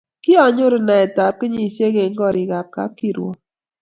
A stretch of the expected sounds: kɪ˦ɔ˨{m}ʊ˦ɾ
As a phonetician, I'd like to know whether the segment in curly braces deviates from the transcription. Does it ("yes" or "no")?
yes